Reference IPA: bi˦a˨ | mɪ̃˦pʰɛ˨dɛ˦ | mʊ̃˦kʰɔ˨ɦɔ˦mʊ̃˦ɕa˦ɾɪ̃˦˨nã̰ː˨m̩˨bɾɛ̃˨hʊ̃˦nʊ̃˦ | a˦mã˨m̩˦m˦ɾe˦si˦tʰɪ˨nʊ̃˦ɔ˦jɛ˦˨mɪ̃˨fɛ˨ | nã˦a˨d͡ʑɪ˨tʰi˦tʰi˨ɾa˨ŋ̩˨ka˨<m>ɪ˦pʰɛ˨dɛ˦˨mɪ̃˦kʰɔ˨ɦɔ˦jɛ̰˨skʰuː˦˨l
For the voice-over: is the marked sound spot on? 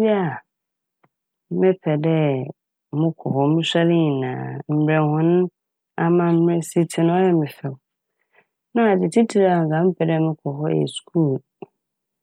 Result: yes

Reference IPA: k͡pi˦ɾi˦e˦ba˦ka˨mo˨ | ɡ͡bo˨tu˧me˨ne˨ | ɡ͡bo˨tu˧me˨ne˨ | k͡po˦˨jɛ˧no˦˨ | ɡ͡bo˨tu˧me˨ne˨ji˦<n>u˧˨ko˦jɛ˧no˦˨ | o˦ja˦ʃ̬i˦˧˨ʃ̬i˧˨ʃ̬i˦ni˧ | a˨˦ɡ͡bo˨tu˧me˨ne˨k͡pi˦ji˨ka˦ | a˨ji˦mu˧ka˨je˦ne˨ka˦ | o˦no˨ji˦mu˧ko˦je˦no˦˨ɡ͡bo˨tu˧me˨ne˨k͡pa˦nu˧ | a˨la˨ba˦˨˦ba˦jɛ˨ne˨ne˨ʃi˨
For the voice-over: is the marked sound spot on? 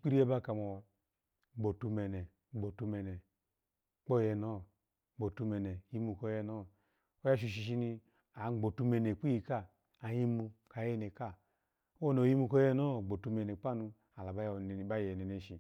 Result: no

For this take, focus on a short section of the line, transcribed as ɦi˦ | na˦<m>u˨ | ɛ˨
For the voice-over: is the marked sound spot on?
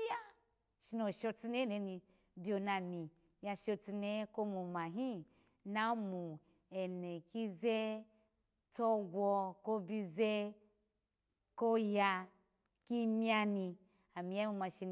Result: yes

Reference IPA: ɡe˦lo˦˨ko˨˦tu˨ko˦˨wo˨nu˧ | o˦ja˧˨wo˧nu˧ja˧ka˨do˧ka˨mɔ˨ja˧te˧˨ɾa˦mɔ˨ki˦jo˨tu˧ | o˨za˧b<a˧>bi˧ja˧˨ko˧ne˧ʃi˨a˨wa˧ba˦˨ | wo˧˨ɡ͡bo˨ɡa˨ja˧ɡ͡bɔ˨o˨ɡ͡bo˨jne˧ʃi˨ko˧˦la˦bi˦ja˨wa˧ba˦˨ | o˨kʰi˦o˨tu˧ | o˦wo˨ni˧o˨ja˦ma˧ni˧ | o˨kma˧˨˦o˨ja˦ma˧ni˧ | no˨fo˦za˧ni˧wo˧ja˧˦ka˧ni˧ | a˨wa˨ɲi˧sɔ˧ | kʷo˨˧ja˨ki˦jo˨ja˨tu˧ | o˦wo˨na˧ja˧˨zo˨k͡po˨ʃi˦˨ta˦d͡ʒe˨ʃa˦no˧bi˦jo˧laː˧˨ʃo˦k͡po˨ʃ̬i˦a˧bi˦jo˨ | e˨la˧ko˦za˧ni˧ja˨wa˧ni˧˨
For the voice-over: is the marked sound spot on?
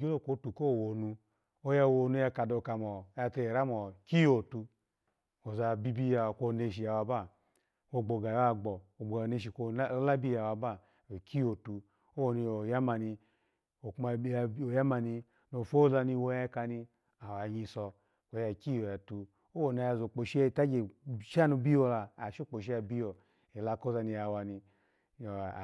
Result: no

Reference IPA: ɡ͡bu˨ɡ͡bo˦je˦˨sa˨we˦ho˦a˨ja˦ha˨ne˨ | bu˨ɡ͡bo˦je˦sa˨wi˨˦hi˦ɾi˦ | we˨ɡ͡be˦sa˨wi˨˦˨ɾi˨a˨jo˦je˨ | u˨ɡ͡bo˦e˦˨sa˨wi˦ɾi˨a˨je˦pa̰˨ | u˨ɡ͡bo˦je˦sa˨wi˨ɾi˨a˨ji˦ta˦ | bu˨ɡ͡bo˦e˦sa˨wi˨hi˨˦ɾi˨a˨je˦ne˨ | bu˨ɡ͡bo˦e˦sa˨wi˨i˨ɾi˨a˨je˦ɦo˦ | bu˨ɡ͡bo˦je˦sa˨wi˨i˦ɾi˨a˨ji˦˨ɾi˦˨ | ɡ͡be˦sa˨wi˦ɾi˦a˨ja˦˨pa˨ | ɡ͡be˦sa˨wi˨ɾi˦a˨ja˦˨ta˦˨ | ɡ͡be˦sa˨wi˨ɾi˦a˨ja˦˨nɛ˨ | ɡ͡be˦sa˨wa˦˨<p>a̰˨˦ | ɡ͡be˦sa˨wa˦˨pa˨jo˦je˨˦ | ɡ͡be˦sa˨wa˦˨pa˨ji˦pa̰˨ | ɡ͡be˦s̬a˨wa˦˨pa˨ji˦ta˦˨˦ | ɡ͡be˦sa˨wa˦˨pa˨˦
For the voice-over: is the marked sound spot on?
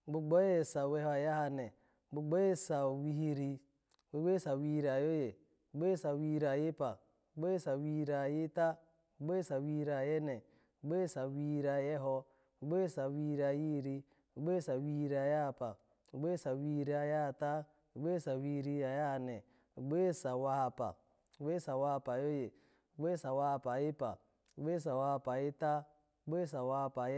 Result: yes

